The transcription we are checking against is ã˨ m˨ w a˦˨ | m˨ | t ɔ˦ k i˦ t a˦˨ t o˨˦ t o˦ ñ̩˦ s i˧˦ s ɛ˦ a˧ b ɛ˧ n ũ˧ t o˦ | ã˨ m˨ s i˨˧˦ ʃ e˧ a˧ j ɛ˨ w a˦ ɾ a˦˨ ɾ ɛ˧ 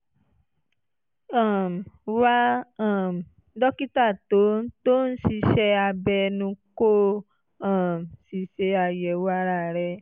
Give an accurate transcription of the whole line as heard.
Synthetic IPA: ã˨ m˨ w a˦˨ | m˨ | d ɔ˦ k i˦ t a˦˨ t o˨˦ t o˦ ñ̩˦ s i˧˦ ʃ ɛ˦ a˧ b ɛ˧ n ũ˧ k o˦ | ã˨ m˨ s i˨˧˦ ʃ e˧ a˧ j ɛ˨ w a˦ ɾ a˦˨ ɾ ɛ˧